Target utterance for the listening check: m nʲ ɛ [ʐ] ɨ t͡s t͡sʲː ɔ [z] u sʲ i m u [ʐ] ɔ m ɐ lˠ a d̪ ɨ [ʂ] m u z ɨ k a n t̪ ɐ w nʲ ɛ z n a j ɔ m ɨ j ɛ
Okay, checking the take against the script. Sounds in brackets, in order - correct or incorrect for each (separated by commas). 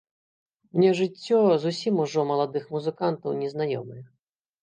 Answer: correct, correct, correct, incorrect